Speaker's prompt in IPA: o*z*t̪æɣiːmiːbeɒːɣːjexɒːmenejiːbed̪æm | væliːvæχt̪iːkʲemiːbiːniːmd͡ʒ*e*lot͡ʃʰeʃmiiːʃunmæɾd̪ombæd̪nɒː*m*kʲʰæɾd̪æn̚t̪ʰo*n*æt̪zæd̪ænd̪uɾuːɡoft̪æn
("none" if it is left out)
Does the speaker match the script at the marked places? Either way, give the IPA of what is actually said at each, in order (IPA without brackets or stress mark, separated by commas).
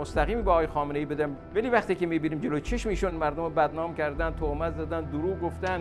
s, e, m, m